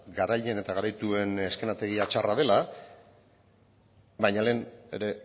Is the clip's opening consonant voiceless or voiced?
voiced